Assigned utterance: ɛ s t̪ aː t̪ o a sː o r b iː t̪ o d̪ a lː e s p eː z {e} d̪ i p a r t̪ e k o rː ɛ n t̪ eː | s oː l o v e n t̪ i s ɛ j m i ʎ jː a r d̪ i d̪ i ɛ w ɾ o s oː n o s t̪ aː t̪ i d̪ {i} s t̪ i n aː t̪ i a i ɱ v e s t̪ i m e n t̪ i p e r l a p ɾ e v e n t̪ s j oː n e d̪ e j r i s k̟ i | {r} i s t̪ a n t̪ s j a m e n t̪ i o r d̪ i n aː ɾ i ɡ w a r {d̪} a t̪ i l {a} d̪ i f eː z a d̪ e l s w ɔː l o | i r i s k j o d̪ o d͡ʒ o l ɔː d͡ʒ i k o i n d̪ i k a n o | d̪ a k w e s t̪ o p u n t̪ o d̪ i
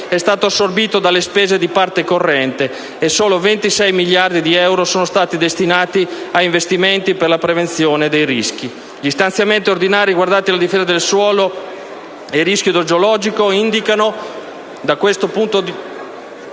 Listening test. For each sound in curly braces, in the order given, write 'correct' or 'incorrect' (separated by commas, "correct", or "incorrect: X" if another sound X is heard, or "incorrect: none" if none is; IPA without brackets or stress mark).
correct, incorrect: e, incorrect: ʎ, correct, correct